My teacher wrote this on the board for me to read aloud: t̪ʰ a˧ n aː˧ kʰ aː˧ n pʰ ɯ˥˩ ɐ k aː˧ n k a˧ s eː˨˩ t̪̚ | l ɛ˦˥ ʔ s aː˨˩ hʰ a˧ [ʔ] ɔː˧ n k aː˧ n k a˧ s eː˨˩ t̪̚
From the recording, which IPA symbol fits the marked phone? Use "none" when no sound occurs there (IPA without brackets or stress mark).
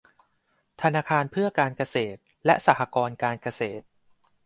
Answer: k